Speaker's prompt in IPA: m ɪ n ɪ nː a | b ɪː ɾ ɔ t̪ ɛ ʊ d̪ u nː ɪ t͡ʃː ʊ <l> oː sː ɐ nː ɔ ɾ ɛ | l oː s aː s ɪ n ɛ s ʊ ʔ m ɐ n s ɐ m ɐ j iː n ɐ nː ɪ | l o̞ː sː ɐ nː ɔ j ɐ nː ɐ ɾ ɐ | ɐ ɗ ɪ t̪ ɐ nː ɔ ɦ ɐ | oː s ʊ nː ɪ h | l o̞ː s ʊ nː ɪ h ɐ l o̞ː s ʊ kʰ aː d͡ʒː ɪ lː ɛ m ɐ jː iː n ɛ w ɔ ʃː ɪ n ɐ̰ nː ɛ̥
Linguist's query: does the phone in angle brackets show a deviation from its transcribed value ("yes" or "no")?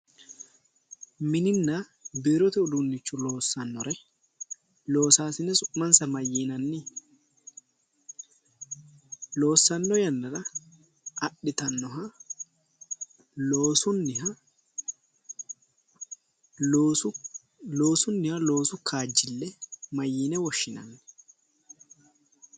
no